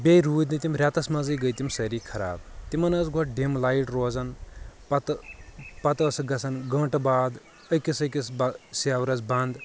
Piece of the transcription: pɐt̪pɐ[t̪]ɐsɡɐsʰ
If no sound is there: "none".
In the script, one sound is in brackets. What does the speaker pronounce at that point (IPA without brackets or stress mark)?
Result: t̪